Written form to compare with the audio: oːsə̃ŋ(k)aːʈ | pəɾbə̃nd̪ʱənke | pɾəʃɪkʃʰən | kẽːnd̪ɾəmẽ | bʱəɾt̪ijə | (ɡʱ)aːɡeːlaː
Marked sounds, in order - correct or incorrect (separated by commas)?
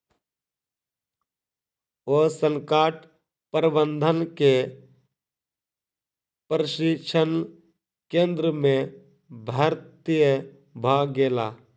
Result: correct, incorrect